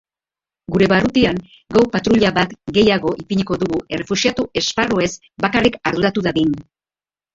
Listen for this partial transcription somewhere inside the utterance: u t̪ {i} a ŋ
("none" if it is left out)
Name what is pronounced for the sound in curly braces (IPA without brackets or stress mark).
i